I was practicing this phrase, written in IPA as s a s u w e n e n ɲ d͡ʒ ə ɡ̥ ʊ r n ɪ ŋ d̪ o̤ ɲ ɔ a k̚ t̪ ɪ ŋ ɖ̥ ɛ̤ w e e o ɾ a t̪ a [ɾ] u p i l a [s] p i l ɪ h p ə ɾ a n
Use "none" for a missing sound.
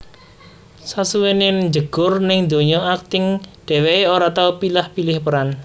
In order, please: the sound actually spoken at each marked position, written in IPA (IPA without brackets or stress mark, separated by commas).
none, h